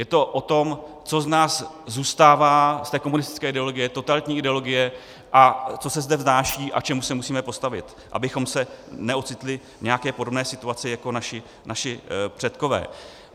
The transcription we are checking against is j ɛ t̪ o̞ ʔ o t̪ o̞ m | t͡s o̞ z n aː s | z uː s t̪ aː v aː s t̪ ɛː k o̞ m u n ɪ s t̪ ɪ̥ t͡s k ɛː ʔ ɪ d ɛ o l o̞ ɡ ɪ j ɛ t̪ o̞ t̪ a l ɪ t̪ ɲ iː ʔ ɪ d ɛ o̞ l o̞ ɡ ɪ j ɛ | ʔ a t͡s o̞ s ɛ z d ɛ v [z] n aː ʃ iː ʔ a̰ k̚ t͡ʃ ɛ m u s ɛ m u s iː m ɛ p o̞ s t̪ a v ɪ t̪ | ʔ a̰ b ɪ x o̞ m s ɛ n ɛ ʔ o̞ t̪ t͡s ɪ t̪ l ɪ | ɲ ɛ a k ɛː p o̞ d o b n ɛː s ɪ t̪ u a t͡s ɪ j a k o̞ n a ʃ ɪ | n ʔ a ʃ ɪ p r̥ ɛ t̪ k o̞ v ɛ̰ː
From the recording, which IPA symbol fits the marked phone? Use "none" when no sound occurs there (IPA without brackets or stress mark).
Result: z